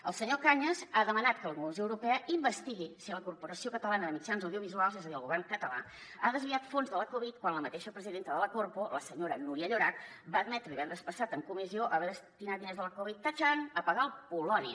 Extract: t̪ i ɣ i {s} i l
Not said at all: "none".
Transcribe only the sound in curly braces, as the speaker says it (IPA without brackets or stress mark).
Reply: s